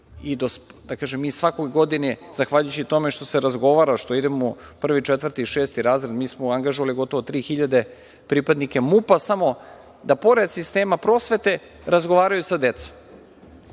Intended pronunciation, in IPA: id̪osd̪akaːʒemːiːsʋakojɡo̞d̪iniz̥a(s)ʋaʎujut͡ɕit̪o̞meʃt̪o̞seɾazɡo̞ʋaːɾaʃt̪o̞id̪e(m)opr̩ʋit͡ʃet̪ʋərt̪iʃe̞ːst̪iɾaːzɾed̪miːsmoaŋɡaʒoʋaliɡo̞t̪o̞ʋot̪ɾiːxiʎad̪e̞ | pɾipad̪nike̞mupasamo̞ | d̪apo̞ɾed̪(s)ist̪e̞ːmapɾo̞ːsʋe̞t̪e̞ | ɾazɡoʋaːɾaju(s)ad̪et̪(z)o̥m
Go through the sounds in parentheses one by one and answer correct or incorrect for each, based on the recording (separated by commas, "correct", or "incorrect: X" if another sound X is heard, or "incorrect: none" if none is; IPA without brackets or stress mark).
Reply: incorrect: x, correct, correct, correct, incorrect: s